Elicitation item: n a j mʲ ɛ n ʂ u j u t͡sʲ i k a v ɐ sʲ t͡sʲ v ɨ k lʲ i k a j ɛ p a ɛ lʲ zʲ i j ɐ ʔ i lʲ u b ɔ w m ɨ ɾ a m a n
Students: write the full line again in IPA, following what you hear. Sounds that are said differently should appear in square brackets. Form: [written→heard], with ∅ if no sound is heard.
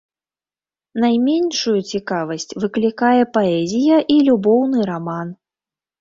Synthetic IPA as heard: n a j mʲ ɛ n ʂ u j u t͡sʲ i k a v ɐ sʲ t͡sʲ v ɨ k lʲ i k a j ɛ p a ɛ [lʲ→∅] zʲ i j ɐ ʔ i lʲ u b ɔ w [m→n] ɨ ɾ a m a n